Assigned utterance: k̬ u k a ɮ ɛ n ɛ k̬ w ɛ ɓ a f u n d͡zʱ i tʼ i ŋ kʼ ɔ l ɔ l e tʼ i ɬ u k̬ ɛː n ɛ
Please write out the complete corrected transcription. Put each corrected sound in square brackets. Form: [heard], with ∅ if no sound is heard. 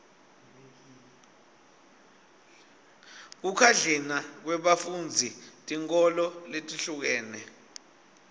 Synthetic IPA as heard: k̬ u [kʰ] a ɮ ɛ n [a] k̬ w ɛ ɓ a f u n d͡zʱ i tʼ i ŋ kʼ ɔ l ɔ l e tʼ i ɬ u k̬ ɛː n ɛ